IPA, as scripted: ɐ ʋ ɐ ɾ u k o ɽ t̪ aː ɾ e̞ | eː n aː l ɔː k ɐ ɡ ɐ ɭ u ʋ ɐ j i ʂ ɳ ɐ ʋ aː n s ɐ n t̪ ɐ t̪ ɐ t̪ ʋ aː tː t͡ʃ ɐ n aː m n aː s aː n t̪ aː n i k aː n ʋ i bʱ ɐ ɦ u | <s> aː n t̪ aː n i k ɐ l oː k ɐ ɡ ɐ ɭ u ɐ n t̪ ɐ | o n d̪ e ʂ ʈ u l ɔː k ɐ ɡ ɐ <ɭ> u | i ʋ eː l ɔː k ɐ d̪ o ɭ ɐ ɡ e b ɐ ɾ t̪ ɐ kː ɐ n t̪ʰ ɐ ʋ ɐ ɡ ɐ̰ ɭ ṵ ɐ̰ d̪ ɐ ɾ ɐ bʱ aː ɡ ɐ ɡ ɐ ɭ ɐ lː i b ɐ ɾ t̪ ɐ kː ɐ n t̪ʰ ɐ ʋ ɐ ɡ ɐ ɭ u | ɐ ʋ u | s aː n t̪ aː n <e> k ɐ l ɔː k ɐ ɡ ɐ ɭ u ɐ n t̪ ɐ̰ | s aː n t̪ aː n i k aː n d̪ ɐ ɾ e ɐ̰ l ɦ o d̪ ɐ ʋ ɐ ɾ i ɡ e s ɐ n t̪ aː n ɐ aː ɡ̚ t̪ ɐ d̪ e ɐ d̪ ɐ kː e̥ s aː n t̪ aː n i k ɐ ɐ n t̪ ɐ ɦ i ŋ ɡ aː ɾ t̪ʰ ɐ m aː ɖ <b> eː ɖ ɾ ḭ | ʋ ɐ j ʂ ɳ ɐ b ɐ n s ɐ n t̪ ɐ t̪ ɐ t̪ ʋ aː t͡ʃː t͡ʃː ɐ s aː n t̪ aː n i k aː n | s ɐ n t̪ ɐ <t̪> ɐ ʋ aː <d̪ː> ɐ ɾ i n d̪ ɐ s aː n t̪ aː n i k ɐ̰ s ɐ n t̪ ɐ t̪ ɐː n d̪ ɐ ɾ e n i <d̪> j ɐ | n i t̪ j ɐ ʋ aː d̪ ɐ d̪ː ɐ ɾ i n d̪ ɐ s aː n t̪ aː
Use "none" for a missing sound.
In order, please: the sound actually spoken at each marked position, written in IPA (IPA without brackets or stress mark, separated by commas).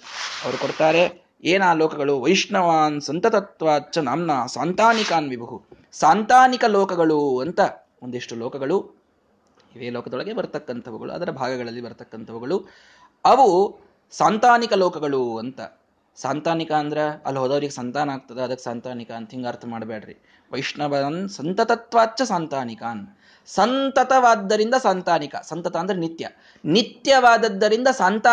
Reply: s, ɭ, i, b, t̪, d̪ː, t̪